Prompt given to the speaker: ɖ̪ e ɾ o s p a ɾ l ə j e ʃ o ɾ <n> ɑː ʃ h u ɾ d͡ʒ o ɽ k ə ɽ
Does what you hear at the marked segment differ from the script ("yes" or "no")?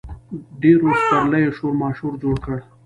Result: yes